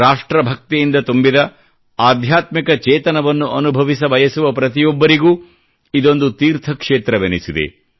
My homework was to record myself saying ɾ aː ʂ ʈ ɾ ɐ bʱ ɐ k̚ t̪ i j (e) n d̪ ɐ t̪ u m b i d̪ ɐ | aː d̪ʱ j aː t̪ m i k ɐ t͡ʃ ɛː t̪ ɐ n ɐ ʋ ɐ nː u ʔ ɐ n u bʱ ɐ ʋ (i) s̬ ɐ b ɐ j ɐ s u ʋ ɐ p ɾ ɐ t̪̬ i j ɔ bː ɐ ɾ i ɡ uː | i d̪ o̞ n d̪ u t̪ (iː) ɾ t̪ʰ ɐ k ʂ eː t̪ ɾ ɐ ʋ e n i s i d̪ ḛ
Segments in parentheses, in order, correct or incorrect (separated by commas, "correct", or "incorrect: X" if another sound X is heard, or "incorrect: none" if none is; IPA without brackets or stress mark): incorrect: i, correct, correct